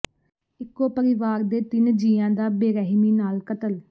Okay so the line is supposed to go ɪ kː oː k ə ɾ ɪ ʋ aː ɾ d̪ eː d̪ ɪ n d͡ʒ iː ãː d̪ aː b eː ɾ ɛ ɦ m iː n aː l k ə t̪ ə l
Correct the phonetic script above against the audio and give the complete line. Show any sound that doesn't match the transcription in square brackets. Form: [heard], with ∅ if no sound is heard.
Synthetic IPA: ɪ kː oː [p] ə ɾ ɪ ʋ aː ɾ d̪ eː [t̪] ɪ n d͡ʒ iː ãː d̪ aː b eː ɾ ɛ ɦ m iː n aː l k ə t̪ ə l